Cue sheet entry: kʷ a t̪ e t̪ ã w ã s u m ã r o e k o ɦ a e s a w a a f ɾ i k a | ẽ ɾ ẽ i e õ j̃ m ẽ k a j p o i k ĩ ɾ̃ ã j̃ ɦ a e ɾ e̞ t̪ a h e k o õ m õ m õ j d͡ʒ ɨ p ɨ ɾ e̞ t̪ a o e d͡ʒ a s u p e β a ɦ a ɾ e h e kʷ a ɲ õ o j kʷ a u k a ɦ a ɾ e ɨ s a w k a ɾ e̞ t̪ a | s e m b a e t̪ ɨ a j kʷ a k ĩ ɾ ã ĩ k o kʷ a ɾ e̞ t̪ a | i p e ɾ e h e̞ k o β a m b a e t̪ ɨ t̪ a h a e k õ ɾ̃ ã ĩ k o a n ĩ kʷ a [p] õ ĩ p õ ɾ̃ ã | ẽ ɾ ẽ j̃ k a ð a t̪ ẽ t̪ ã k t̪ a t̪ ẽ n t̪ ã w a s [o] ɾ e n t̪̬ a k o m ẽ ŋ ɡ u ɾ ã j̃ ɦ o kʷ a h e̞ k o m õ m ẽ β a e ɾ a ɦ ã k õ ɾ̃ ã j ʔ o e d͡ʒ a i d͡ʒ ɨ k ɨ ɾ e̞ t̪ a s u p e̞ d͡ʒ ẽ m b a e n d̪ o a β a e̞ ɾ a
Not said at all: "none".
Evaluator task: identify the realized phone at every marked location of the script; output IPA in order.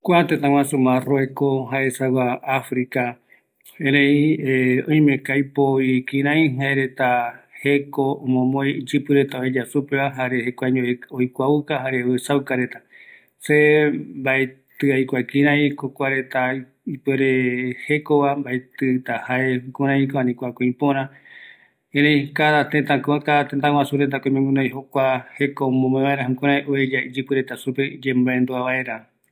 k, u

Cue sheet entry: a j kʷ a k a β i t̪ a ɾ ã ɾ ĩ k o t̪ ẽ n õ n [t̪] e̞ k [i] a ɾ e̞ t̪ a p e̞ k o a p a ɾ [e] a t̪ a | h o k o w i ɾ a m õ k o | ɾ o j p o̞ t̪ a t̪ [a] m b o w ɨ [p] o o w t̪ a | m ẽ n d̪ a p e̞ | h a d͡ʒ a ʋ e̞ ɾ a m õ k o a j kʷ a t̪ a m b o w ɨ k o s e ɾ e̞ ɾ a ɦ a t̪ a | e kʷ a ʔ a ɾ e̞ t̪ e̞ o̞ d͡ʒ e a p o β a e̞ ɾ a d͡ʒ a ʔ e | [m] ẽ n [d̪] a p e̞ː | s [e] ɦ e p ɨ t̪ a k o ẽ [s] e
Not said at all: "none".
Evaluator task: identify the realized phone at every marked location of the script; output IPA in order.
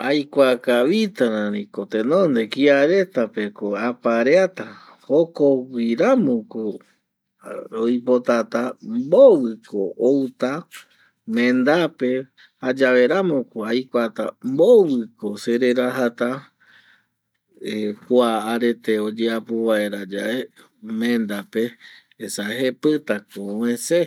d̪, i, e, a, k, m, d̪, a, s

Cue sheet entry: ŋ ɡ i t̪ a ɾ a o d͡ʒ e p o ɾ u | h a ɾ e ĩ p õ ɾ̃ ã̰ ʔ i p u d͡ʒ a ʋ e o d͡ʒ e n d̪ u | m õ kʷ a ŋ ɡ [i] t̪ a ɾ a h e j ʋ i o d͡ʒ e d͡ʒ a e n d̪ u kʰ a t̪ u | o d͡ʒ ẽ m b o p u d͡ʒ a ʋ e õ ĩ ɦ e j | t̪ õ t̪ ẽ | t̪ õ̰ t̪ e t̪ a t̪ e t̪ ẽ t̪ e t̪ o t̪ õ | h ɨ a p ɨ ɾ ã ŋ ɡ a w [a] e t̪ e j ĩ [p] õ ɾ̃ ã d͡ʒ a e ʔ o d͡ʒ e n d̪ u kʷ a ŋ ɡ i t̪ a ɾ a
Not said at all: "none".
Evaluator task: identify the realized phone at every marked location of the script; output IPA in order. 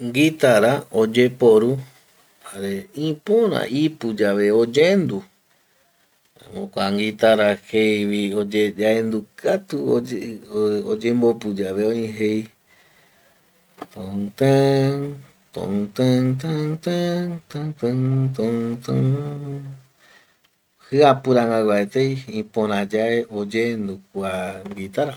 i, a, p

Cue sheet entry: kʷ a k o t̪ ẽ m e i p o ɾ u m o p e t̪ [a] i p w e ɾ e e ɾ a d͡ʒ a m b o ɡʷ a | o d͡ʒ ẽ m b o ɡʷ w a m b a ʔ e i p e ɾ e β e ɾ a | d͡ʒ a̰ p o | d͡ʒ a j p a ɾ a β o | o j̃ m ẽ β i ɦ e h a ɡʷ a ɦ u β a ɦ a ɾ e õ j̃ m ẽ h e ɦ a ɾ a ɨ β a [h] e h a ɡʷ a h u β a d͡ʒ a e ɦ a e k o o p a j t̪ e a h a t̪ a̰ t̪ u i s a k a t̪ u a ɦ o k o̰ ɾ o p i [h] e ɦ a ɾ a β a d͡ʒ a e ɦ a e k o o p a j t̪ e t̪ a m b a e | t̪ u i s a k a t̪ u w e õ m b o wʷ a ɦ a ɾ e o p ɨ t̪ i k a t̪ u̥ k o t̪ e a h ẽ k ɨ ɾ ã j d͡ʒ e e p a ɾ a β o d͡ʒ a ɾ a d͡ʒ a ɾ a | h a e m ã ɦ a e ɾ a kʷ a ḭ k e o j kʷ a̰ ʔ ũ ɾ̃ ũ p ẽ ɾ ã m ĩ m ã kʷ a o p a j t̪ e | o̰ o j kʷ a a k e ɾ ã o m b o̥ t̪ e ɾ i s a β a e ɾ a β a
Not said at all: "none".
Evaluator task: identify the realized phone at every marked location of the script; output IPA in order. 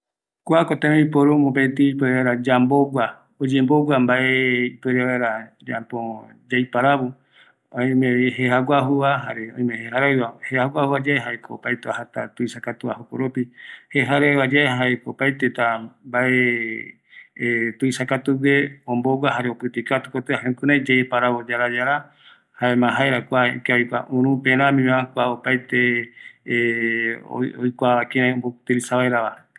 i, h, h

